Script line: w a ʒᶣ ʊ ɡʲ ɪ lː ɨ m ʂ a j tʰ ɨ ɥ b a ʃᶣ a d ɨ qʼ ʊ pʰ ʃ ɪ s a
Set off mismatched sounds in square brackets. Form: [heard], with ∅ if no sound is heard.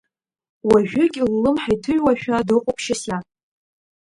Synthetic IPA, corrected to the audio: w a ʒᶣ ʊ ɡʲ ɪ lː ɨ m [ħ] a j tʰ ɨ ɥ [w] a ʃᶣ a d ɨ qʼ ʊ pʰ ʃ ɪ s a